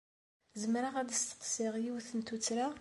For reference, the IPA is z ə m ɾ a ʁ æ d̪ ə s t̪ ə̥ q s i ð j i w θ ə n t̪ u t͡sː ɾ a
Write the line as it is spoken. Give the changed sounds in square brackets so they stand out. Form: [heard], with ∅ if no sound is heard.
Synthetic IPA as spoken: z ə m ɾ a ʁ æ d̪ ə s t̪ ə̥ q s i [ʁ] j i w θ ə n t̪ u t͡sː ɾ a